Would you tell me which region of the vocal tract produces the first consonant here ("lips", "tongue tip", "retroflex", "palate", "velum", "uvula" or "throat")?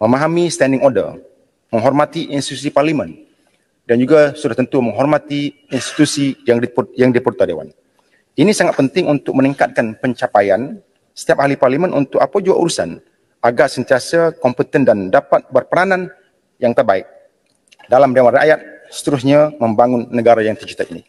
lips